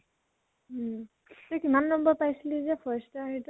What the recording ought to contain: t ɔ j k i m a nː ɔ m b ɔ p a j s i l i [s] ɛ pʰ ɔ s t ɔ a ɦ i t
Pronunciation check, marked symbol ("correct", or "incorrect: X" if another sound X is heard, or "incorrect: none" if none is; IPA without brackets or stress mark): incorrect: z